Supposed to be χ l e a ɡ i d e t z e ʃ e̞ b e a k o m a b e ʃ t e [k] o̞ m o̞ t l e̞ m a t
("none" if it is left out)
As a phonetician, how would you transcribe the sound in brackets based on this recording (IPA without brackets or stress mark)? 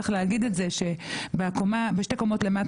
k